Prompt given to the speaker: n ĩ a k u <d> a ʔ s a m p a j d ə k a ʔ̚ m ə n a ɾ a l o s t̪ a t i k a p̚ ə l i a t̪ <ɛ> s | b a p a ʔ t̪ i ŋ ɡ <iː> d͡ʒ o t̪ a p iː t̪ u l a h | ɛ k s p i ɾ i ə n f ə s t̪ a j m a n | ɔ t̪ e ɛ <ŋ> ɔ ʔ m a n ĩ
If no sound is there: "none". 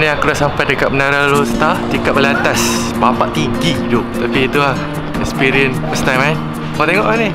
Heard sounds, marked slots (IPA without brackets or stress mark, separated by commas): d, a, i, ŋ